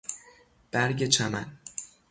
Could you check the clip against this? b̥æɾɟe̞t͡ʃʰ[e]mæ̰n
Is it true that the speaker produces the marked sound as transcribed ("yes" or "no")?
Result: no